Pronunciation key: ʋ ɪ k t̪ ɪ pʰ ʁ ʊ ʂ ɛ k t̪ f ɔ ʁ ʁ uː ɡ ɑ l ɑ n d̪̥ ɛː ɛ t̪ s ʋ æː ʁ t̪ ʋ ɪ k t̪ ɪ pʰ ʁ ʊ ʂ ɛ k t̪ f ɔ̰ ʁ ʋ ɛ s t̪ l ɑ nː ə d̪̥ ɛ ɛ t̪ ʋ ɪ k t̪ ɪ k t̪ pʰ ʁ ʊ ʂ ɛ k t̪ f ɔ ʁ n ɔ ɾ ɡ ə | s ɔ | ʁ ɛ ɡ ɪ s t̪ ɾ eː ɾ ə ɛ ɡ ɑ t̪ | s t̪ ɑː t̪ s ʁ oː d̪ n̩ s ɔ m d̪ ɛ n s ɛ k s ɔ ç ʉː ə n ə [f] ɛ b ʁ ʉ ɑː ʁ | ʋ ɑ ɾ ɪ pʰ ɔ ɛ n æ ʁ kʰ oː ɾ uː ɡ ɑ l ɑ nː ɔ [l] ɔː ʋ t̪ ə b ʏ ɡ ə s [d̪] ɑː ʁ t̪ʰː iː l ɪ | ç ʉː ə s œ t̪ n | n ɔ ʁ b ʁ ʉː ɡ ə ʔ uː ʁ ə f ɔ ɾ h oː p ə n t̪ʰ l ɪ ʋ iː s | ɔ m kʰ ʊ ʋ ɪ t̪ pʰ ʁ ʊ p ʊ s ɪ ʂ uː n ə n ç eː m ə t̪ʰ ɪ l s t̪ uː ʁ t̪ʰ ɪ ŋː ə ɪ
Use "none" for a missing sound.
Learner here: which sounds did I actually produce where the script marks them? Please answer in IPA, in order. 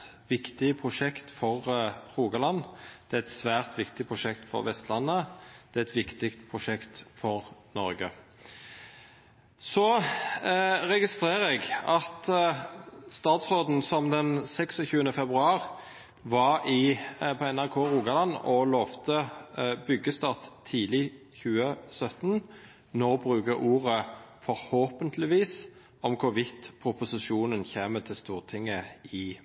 f, l, t̪

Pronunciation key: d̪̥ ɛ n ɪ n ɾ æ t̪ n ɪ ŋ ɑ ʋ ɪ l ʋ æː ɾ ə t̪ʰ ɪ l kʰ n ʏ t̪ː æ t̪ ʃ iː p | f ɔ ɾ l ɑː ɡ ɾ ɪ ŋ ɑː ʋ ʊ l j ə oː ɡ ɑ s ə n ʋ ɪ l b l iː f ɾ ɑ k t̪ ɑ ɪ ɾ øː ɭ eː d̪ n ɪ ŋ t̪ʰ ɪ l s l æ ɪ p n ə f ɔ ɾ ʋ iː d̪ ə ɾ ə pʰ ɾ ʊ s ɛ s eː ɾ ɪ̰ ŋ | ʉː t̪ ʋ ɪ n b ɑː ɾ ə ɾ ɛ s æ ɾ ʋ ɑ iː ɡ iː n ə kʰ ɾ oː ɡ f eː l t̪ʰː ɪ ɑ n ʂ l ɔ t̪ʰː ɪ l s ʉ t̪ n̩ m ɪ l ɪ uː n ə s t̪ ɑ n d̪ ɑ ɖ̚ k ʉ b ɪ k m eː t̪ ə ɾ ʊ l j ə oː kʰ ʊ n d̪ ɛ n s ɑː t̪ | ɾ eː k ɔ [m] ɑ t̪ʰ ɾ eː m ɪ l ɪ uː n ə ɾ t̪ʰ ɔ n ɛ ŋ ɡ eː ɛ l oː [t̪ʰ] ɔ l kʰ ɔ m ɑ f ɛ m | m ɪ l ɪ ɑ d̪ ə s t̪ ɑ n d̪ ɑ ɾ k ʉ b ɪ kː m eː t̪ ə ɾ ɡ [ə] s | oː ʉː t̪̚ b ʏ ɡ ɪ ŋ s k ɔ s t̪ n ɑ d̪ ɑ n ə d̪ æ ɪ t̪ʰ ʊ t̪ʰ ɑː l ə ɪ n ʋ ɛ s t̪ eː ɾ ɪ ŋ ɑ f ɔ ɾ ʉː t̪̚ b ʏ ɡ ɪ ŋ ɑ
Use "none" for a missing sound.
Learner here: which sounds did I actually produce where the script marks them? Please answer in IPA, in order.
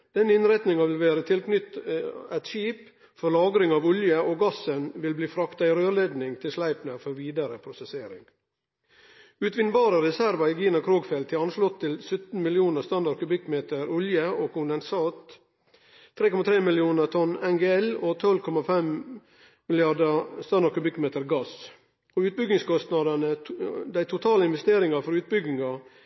m, t̪ʰ, ɑ

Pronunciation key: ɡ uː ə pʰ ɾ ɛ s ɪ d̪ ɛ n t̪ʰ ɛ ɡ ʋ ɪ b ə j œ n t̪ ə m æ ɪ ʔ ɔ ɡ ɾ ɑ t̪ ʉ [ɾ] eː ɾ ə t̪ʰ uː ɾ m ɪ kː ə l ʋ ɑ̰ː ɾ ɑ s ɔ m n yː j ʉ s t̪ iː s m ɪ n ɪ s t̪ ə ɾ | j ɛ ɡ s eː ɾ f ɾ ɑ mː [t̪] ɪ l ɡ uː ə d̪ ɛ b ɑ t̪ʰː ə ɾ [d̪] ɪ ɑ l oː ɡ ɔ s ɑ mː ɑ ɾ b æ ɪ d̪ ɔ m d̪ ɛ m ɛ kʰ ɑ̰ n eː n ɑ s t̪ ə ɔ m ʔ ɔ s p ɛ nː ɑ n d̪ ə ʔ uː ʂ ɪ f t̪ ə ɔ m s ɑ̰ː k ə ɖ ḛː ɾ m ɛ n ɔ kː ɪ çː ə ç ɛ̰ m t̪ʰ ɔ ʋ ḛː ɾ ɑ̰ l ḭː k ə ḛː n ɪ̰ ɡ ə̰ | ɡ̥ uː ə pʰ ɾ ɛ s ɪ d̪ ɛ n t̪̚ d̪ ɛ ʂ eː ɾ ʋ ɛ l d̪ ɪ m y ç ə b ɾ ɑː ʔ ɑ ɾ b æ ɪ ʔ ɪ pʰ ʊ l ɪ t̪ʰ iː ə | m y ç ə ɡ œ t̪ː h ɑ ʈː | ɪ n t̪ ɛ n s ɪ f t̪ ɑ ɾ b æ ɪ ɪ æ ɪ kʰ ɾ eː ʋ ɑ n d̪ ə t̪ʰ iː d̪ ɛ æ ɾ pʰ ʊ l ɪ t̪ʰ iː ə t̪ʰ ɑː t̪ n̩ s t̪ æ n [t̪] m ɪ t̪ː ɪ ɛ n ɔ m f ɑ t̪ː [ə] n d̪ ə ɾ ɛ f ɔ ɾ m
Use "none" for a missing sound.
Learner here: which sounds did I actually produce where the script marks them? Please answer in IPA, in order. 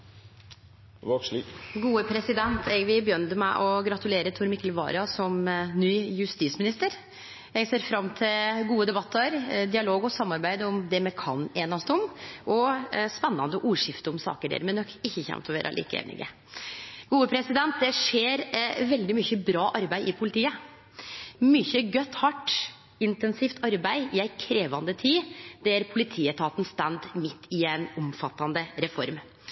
l, t̪ʰ, d̪, d̪, ɑ

